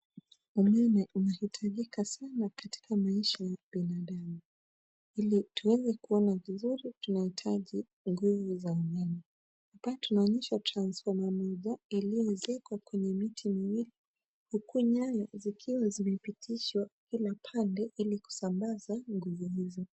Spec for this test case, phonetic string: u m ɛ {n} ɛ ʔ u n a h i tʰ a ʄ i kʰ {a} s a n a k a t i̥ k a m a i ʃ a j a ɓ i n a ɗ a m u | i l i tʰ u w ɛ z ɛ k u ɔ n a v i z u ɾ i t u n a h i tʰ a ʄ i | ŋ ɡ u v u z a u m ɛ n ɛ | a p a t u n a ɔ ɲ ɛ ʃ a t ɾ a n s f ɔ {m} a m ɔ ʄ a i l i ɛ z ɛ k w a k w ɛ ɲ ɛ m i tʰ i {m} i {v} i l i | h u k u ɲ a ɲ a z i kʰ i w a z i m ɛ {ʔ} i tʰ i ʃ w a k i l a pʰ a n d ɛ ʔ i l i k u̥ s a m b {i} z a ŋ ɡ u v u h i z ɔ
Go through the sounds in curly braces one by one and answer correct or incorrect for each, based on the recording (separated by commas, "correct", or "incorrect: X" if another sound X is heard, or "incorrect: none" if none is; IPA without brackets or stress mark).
correct, correct, correct, correct, incorrect: w, incorrect: p, incorrect: a